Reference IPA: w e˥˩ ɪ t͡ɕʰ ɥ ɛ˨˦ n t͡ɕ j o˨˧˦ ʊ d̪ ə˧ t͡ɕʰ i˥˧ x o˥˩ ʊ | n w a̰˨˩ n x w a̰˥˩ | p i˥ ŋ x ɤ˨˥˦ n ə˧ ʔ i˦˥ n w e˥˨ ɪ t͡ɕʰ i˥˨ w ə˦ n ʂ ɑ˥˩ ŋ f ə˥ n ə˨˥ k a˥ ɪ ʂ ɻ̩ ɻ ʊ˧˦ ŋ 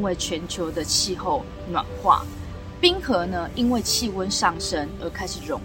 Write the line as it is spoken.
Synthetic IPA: w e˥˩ ɪ t͡ɕʰ ɥ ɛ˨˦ n t͡ɕʰ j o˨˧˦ ʊ d̪ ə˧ t͡ɕʰ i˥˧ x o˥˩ ʊ | n w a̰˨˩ n x w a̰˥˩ | p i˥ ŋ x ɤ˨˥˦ n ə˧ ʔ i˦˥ n w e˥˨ ɪ t͡ɕʰ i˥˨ w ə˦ n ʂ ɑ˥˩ ŋ ʂ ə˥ n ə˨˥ kʰ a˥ ɪ ʂ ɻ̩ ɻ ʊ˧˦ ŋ